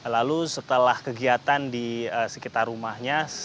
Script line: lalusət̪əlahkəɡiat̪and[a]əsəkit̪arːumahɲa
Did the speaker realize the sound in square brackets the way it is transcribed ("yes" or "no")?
no